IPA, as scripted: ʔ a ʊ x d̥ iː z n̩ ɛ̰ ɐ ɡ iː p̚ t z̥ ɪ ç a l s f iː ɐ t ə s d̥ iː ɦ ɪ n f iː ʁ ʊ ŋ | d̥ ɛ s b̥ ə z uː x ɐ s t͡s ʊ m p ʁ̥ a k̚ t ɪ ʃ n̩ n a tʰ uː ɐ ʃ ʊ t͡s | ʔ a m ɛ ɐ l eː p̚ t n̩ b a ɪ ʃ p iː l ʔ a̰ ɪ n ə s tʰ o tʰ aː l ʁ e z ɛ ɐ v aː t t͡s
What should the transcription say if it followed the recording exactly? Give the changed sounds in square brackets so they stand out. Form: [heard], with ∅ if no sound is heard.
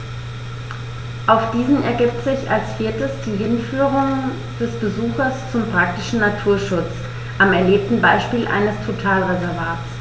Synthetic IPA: ʔ a ʊ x d̥ iː z n̩ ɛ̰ ɐ ɡ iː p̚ t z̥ ɪ ç a l s f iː ɐ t ə s d̥ iː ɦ ɪ n f [yː] ʁ ʊ ŋ | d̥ ɛ s b̥ ə z uː x ɐ s t͡s ʊ m p ʁ̥ a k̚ t ɪ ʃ n̩ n a tʰ uː ɐ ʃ ʊ t͡s | ʔ a m ɛ ɐ l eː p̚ t n̩ b a ɪ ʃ p iː l ʔ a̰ ɪ n ə s tʰ o tʰ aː l ʁ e z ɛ ɐ v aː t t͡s